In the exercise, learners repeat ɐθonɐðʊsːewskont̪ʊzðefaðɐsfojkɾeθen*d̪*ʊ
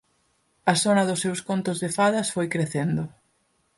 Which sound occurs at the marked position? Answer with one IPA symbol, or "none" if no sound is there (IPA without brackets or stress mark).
d̪